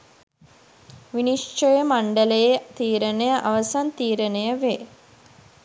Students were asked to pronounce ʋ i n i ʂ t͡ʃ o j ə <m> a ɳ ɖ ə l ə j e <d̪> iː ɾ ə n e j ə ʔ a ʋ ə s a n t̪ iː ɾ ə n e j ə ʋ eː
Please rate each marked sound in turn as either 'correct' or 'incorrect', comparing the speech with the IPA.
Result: correct, incorrect: t̪

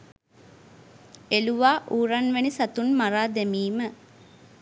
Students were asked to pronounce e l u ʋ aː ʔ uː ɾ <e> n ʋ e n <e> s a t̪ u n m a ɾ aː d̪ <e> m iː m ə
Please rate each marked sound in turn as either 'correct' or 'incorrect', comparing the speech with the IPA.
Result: incorrect: a, incorrect: i, correct

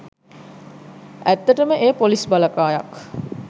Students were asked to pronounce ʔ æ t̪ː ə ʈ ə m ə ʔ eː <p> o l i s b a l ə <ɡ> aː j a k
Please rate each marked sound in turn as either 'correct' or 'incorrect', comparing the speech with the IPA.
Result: correct, incorrect: k

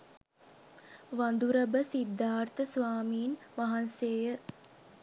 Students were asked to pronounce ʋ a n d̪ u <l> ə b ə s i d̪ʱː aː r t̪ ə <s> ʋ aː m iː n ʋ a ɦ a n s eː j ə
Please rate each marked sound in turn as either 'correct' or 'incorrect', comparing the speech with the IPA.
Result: incorrect: ɾ, correct

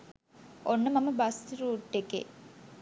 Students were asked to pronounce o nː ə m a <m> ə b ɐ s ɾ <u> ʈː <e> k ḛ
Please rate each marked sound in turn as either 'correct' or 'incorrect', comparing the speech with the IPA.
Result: correct, incorrect: uː, correct

